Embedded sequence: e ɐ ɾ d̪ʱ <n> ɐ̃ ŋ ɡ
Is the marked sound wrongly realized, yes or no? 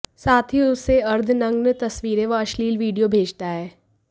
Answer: no